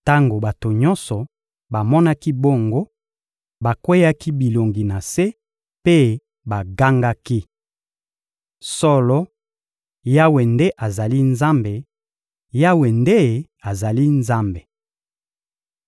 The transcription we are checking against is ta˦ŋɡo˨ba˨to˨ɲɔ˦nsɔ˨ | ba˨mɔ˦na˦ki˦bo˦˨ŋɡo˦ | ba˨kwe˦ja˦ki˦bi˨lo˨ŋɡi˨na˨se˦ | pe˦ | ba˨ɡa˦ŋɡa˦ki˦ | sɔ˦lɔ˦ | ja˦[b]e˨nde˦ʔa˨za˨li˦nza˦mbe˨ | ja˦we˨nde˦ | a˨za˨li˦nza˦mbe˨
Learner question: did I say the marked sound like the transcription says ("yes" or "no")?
no